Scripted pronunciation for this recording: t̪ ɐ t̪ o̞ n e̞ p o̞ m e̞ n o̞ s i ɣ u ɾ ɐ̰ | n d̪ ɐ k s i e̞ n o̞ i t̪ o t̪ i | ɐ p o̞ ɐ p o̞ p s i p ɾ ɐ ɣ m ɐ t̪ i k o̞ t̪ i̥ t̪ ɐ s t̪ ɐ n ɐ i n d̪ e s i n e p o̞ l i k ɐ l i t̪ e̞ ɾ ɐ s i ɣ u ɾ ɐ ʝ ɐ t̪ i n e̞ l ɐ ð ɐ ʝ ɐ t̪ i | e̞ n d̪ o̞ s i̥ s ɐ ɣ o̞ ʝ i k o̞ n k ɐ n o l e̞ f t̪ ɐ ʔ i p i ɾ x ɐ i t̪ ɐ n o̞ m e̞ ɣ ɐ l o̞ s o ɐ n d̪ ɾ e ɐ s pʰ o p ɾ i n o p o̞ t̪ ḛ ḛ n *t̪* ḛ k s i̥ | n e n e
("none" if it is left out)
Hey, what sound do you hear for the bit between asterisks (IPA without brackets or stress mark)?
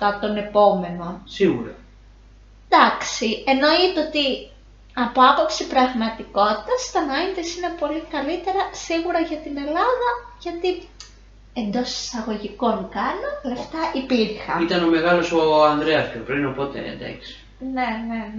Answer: d̪